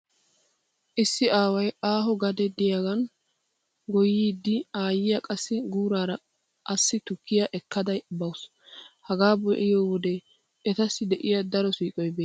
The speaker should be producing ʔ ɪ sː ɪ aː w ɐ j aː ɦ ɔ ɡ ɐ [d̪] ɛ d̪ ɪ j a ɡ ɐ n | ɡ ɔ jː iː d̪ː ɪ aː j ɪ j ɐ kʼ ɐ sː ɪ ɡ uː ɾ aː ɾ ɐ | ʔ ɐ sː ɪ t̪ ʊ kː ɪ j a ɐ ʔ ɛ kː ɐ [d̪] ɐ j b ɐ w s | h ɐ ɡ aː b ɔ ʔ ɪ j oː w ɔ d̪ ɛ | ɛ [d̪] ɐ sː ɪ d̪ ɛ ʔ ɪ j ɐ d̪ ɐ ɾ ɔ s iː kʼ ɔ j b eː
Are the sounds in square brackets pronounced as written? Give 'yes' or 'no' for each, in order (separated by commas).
yes, yes, no